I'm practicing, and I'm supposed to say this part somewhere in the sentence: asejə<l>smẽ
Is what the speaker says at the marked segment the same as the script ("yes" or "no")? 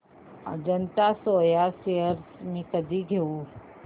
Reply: no